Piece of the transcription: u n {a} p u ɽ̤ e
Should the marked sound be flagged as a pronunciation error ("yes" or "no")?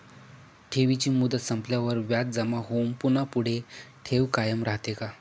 no